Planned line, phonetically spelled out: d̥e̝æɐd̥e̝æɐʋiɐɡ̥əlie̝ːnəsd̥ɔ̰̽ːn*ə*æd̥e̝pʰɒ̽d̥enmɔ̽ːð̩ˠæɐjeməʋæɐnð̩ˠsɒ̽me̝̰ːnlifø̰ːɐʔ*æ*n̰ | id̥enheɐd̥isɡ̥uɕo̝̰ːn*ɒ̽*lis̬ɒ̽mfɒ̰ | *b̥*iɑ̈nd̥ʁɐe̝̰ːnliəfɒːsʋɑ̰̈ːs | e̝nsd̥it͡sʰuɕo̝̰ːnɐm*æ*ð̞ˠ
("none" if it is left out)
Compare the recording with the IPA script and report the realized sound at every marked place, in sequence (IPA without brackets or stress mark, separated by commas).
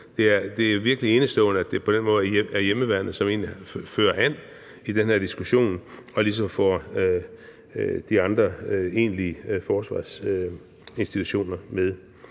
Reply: ə, æ, ɒ̽, d̥, e